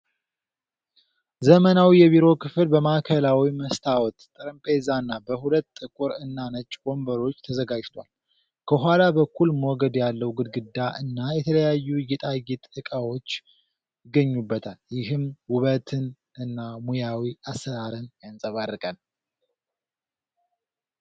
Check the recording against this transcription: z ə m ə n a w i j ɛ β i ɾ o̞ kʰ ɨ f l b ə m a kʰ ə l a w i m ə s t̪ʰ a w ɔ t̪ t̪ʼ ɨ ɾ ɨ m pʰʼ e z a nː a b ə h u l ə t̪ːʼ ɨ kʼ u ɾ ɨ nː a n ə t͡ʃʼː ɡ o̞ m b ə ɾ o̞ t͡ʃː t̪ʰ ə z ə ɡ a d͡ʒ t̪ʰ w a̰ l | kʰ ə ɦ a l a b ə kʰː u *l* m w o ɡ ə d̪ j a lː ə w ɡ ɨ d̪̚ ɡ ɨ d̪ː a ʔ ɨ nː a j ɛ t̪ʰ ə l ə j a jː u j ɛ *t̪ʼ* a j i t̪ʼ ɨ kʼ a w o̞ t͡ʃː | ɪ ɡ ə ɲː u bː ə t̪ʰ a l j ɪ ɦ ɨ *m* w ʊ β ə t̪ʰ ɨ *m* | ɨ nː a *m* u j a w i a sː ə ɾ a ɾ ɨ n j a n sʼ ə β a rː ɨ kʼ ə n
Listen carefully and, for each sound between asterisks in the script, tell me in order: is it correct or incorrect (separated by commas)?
correct, correct, correct, incorrect, correct